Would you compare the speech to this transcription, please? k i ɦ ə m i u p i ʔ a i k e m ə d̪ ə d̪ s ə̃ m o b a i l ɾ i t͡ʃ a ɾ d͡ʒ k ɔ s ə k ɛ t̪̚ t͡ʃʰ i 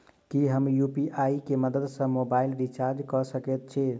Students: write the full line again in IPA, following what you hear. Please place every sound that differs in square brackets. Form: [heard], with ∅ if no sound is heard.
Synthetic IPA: k i ɦ ə m [j] u p i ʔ a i k e m ə d̪ ə d̪ s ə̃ m o b a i l ɾ i t͡ʃ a ɾ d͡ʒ k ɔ s ə k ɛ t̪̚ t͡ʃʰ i

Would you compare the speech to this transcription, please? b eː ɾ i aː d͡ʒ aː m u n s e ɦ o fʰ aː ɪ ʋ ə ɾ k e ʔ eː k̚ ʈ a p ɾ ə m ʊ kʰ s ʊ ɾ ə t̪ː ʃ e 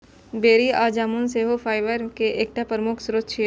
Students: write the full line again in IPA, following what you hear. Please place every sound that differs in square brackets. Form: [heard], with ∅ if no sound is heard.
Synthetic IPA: b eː ɾ i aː d͡ʒ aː m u n s e ɦ o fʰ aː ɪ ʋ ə ɾ k e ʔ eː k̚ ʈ a p ɾ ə m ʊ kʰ s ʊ ɾ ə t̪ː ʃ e

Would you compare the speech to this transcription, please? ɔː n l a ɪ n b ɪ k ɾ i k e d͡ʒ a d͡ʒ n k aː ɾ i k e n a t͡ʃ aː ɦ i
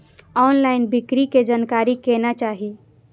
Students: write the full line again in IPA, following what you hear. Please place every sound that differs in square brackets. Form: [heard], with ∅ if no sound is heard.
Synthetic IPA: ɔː n l a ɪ n b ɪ k ɾ i k e d͡ʒ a [∅] n k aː ɾ i k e n a t͡ʃ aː ɦ i

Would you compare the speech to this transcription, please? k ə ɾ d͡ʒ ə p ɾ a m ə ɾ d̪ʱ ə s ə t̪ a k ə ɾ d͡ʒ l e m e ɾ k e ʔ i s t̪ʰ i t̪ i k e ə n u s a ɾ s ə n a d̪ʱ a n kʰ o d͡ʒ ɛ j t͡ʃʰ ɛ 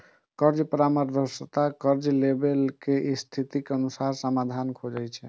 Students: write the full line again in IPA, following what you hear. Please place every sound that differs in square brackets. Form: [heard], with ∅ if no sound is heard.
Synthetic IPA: k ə ɾ d͡ʒ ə p ɾ a m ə ɾ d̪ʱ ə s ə t̪ a k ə ɾ d͡ʒ l e [b] e [l] k e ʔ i s t̪ʰ i t̪ i k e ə n u s a ɾ s ə [m] a d̪ʱ a n kʰ o d͡ʒ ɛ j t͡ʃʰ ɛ

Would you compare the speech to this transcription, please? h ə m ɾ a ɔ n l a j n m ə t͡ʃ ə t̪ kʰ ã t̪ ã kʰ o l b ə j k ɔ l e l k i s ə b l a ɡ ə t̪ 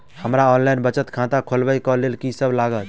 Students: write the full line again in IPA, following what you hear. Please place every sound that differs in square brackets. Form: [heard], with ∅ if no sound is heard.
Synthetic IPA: h ə m ɾ a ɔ n l a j n [b] ə t͡ʃ ə t̪ kʰ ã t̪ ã kʰ o l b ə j k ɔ l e l k i s ə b l a ɡ ə t̪

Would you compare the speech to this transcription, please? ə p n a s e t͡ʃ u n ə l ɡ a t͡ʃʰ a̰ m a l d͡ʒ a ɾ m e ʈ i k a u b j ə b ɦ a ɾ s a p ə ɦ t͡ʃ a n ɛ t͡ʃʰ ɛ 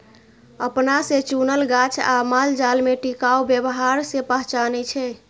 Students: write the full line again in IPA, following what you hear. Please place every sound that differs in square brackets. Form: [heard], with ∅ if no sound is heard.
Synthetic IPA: ə p n a s e t͡ʃ u n ə l ɡ a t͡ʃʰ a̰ m a l d͡ʒ a [l] m e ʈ i k a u b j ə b ɦ a ɾ s [e] p ə ɦ t͡ʃ a n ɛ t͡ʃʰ ɛ

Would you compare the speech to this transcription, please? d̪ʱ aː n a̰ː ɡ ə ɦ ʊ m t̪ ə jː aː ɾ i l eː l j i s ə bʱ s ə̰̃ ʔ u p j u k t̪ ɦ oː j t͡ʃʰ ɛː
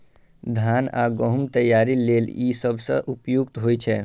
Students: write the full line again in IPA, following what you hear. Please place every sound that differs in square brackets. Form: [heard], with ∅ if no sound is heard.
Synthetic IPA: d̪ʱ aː n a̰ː ɡ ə ɦ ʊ m t̪ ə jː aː ɾ i l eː l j i s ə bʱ s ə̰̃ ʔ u p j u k t̪ ɦ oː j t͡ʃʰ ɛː

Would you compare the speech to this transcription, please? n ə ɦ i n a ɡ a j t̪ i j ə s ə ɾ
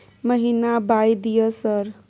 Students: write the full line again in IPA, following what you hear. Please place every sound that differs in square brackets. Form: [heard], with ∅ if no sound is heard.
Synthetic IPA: [m] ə ɦ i n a [b] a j [d̪] i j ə s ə ɾ

